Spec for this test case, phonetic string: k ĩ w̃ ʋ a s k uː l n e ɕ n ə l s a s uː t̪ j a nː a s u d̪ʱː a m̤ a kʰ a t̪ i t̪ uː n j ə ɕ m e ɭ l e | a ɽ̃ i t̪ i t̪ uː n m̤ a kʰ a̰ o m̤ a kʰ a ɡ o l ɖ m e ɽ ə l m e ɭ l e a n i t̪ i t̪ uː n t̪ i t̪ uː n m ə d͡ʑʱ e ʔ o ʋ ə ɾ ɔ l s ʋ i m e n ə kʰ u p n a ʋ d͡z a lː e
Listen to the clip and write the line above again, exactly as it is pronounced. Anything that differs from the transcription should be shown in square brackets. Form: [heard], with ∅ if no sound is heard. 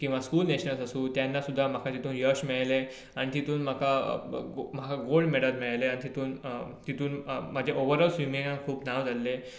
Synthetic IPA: k ĩ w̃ ʋ a s k uː l n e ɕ n ə l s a s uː t̪ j a nː a s u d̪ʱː a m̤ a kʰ a t̪ i t̪ uː n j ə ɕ m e ɭ l e | a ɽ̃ i t̪ i t̪ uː n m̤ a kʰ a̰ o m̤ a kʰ a ɡ o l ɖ m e ɽ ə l m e ɭ l e a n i t̪ i t̪ uː n t̪ i t̪ uː n m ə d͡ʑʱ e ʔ o ʋ ə ɾ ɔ l s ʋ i m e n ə kʰ [uː] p n a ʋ d͡z a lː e